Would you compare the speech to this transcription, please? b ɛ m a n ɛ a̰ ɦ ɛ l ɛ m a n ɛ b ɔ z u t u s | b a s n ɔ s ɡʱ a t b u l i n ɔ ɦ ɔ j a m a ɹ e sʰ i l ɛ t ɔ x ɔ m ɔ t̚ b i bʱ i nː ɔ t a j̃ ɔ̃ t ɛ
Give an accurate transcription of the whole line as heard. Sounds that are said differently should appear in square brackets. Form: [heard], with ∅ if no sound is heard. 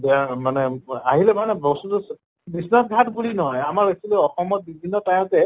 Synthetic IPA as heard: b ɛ m a n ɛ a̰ ɦ [i] l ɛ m a n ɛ b ɔ [s] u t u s | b [i] s n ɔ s ɡʱ a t b u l i n ɔ ɦ ɔ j a m a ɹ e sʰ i l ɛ [∅] ɔ x ɔ m ɔ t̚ b i bʱ i nː ɔ t a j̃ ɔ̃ t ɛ